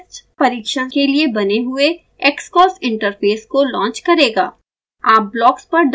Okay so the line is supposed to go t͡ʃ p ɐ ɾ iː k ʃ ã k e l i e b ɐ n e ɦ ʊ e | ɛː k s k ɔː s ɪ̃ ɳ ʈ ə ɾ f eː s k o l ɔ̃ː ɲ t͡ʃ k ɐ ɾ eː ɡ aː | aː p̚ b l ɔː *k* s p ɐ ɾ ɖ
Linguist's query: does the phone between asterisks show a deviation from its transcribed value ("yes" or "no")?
no